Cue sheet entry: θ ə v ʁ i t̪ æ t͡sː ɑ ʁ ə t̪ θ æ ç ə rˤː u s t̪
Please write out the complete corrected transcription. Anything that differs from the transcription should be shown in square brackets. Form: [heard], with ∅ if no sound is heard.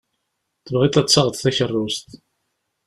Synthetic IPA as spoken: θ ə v ʁ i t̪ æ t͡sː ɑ ʁ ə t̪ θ æ ç ə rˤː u s t̪